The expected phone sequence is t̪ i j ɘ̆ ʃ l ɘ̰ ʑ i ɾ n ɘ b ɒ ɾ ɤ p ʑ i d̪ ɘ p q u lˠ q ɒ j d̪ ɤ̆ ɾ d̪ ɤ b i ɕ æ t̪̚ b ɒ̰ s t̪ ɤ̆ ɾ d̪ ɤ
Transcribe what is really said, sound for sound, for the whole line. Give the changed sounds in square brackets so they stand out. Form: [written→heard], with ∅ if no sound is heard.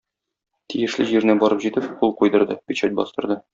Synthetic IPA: t̪ i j ɘ̆ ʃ l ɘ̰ ʑ i ɾ n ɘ b ɒ ɾ ɤ p ʑ i [d̪→t̪] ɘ p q u lˠ q [ɒ→u] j d̪ ɤ̆ ɾ d̪ ɤ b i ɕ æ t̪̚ b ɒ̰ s t̪ ɤ̆ ɾ d̪ ɤ